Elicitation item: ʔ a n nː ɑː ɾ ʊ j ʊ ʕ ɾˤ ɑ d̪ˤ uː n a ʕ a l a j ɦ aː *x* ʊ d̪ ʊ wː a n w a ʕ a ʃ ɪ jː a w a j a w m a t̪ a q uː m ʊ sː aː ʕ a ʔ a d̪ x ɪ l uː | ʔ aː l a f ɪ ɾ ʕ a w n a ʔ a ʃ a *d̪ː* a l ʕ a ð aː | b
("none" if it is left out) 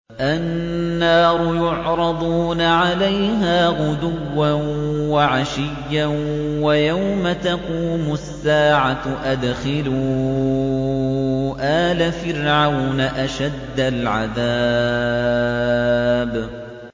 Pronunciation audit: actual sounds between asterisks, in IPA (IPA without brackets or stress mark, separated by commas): ɣ, d̪ː